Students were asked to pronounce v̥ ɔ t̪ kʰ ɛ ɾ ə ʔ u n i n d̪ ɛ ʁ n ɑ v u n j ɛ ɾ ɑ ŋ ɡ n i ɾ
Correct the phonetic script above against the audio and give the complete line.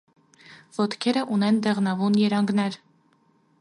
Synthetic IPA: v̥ ɔ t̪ kʰ ɛ ɾ ə ʔ u n ɛ n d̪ ɛ ʁ n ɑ v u n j ɛ ɾ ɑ ŋ ɡ n ɛ ɾ